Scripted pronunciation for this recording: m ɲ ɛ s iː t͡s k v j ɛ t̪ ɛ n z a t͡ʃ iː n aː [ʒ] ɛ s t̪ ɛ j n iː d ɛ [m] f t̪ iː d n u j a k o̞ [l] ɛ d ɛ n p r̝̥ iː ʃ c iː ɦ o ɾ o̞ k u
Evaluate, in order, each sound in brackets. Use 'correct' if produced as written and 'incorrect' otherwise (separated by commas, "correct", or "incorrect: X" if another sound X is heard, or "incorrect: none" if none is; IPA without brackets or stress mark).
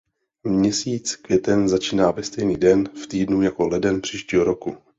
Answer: incorrect: v, incorrect: n, correct